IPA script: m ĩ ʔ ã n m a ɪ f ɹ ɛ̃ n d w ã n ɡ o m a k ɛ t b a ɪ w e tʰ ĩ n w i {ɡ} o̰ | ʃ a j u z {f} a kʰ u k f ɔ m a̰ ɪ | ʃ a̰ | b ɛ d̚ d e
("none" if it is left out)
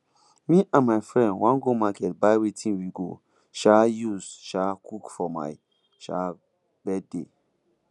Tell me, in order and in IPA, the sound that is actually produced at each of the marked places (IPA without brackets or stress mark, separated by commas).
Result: ɡ, ʃ